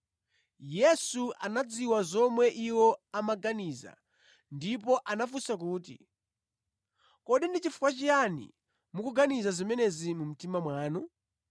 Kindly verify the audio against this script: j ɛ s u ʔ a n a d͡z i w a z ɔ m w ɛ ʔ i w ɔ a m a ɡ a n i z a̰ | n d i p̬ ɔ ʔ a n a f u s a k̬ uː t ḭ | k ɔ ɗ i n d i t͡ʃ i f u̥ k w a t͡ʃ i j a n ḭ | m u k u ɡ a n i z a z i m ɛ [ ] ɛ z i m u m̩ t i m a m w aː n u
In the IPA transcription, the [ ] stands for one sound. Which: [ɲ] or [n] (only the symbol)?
n